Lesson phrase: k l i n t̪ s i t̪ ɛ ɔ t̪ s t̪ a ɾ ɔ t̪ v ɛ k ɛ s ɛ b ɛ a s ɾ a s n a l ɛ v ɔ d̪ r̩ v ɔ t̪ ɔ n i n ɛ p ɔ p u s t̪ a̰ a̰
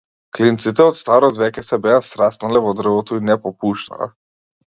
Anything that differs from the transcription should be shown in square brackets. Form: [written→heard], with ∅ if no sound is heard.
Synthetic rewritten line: k l i n t̪ s i t̪ ɛ ɔ t̪ s t̪ a ɾ ɔ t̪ v ɛ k ɛ s ɛ b ɛ a s ɾ a s n a l ɛ v ɔ d̪ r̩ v ɔ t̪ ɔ [n→∅] i n ɛ p ɔ p u [s→ʃ] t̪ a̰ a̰